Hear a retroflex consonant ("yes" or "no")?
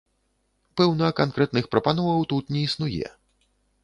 no